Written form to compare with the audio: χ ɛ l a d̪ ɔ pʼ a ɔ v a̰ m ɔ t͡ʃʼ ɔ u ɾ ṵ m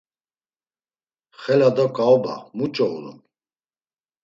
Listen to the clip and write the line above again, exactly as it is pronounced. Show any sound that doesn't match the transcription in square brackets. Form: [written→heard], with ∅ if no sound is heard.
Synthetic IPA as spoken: χ ɛ l a d̪ ɔ [pʼ→kʼ] a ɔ [v→b] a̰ m [ɔ→u] t͡ʃʼ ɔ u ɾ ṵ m